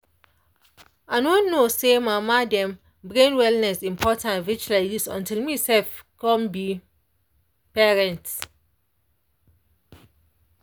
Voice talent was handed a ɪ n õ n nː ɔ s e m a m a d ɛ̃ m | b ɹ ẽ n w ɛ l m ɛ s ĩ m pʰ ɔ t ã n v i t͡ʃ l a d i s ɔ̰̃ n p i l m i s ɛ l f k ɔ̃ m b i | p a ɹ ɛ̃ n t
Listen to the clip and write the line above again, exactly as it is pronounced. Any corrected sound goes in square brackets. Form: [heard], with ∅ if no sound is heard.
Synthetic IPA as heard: a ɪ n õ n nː [o] s e m a m a d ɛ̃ m | b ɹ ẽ n w ɛ l [n] ɛ s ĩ m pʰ ɔ t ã n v i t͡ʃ l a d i s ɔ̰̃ n [t] i l m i s ɛ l f k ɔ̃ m b i | p [ɛ] ɹ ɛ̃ n t

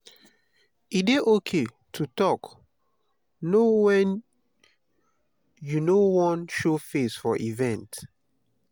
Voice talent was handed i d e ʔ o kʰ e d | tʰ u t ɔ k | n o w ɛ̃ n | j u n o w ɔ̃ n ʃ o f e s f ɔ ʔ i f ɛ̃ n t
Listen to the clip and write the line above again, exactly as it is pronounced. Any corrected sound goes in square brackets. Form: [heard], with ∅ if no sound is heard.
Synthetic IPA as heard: i d e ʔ o kʰ e [∅] | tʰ u t ɔ k | n o w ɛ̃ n | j u n o w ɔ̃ n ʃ o f e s f ɔ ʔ i [v] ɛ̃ n t

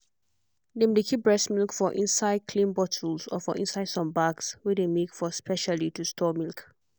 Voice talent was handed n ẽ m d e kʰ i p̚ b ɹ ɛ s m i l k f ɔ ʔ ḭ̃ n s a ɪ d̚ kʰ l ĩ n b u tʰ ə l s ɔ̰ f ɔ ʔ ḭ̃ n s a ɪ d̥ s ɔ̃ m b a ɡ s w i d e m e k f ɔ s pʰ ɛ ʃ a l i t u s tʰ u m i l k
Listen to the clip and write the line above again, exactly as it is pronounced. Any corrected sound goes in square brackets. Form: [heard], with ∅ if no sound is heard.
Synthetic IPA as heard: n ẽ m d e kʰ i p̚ b ɹ ɛ s m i l k f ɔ ʔ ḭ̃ n s a ɪ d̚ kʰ l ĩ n b [ɔ] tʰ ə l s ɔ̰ f ɔ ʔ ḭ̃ n s a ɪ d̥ s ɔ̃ m b a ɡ s w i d e m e k f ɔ s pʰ ɛ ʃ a l i t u s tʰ [ɔ] m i l k

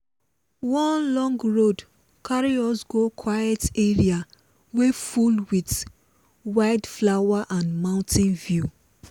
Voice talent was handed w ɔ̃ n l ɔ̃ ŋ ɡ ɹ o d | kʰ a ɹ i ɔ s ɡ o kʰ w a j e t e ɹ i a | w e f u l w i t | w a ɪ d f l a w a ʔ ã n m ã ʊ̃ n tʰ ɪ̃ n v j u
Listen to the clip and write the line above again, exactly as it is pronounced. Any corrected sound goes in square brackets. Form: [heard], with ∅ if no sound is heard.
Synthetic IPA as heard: w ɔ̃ n l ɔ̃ ŋ ɡ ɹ o d | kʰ a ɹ i ɔ s ɡ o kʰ w a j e t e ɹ i a | w e f u l w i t | w a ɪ d f l a w a ʔ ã n m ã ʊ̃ n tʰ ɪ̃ n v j u

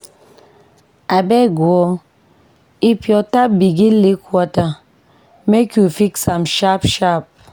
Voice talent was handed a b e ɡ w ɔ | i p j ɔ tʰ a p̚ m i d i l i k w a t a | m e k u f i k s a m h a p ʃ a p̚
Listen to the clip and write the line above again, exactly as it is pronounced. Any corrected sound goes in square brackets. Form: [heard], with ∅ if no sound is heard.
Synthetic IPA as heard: a b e ɡ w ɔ | i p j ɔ [t] a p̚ [b] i [ɡ] i l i k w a t a | m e k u f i k s a m [ʃ] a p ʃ a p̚

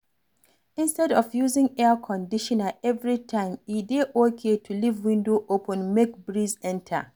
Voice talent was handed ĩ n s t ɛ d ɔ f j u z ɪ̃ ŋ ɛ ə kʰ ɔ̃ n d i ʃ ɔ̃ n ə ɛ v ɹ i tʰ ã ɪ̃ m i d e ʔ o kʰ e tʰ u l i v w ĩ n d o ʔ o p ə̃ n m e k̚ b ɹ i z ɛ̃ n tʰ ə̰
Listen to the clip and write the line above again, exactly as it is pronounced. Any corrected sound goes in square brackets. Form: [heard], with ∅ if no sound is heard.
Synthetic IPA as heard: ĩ n s t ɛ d ɔ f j u z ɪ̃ ŋ ɛ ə kʰ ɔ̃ n d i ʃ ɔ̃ n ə ɛ v ɹ i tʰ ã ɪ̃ m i d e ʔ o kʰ e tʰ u l i v w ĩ n d o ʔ o p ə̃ n m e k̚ b ɹ i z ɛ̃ n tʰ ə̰

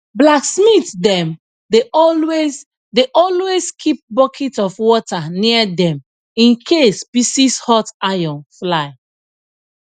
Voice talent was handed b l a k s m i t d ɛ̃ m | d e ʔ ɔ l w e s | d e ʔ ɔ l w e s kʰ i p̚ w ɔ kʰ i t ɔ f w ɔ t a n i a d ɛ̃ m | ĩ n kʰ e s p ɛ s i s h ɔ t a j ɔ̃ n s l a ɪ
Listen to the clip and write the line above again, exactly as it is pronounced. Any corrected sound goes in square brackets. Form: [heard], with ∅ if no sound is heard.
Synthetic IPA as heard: b l a k s m i t d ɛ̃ m | d e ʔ ɔ l w e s | d e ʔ ɔ l w e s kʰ i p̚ [b] ɔ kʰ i t ɔ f w ɔ t a n i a d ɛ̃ m | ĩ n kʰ e s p [i] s i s h ɔ t a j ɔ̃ n [f] l a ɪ

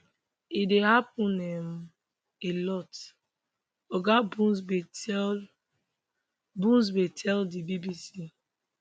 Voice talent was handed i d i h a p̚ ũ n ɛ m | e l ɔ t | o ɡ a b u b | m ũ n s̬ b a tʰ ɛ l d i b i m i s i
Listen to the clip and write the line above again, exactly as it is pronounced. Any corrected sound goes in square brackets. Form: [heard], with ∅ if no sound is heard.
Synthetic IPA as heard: i d [e] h a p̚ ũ n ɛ m | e l ɔ t | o ɡ a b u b | [b] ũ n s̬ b [e] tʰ ɛ l d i b i [b] i s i

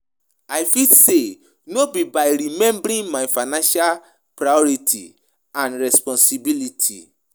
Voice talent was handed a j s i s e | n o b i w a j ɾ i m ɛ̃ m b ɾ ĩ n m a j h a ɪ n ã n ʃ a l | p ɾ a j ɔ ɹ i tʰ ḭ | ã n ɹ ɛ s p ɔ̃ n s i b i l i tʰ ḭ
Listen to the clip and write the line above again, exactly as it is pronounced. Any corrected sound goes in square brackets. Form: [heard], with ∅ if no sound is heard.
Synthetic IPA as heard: a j [f] i s e | n o b i [b] a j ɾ i m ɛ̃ m b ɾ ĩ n m a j [f] a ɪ n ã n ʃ a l | p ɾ a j ɔ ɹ i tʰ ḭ | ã n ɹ ɛ s p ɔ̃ n s i b i l i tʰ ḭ

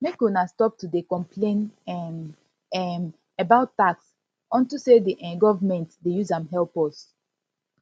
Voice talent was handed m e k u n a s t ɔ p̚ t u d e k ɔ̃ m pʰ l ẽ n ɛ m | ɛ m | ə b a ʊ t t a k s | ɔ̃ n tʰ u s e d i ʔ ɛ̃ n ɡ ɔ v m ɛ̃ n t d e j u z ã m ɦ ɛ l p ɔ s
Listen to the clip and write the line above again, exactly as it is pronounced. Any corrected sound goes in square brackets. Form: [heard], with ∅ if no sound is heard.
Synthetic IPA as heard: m e k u n a s t ɔ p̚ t u d e k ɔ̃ m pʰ l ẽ n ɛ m | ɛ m | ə b a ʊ t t a k s | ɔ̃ n [t] u s e d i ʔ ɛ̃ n ɡ ɔ v m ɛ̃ n t d e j u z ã m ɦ ɛ l p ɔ s

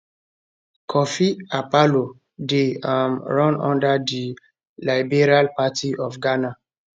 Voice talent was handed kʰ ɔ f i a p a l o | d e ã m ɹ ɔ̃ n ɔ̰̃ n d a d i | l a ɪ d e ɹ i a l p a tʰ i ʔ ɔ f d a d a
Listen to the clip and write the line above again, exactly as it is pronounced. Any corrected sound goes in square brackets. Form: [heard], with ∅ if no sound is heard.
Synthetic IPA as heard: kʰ ɔ f i a p a l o | d e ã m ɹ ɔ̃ n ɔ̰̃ n d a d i | l a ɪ [b] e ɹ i a l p a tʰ i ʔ ɔ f [ɡ] a [n] a

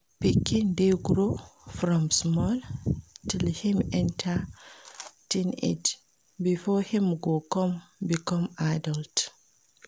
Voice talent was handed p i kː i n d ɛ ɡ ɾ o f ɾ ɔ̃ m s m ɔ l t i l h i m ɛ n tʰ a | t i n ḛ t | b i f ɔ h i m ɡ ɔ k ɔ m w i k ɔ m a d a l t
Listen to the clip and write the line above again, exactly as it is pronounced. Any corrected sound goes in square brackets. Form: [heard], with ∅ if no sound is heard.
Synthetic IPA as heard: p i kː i n d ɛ ɡ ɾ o f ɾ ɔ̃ m s m ɔ l t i l h i m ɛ n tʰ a | t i n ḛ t | b i f ɔ h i m ɡ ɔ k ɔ m [b] i k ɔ m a d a l t

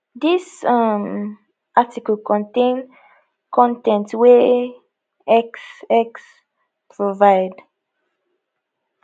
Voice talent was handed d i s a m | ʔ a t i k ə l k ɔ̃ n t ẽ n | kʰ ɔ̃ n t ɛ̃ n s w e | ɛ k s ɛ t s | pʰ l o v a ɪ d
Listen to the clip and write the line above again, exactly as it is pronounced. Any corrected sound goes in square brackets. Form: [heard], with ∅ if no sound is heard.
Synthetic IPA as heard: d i s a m | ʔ a t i k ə l k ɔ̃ n t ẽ n | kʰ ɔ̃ n t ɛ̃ n [t] w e | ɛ k s ɛ [k] s | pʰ [ɹ] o v a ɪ d

